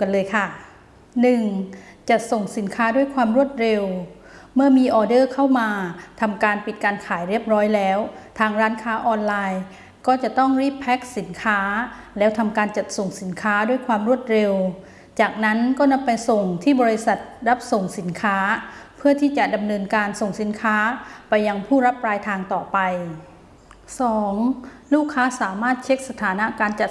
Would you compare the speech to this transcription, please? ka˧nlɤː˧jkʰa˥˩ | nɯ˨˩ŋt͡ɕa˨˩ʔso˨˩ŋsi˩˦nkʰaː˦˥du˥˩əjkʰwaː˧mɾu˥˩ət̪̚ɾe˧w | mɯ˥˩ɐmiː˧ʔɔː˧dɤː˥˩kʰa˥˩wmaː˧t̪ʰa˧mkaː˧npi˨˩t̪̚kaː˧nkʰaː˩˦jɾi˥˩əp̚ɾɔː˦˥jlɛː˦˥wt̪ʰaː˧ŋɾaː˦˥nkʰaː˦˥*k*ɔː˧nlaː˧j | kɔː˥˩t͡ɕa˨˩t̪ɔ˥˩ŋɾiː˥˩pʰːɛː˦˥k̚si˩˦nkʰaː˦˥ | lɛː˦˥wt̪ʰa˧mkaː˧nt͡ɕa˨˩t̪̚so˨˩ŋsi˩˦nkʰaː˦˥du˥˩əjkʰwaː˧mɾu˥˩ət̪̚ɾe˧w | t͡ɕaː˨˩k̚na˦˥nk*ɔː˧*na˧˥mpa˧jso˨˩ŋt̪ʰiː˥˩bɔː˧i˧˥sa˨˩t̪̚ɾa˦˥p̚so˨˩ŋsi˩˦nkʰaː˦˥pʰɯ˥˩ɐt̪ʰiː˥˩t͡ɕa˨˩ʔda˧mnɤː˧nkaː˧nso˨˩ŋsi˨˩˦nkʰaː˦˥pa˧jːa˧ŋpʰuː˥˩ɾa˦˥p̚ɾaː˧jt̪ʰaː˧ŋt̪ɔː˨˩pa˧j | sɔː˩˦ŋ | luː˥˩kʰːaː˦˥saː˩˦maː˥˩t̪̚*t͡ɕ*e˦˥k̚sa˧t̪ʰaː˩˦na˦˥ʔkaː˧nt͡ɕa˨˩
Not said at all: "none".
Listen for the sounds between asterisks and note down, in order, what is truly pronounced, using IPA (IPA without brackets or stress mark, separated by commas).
ʔ, ɔː˥˩, t͡ɕʰ